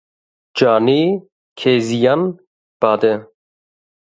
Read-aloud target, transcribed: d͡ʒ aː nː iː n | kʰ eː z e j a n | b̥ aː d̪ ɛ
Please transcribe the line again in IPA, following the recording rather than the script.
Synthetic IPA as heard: d͡ʒ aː n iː | kʰ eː z i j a n | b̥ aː d̪ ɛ